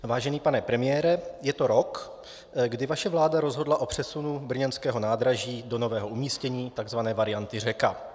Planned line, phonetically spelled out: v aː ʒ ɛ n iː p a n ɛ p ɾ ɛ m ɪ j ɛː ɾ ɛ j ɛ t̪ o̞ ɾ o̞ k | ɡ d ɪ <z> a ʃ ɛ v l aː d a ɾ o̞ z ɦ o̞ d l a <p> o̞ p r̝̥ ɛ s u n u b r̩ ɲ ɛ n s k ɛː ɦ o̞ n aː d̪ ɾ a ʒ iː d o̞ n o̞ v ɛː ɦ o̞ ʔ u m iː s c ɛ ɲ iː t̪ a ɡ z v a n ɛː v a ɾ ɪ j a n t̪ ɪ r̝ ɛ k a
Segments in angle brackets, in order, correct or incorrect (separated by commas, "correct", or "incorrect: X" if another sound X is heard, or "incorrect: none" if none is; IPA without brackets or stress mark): incorrect: v, incorrect: ʔ